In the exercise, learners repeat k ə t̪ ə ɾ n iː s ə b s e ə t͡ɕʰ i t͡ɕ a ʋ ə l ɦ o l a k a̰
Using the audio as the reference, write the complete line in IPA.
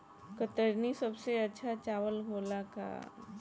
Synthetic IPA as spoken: k ə t̪ ə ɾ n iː s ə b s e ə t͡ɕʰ a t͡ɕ a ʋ ə l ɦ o l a k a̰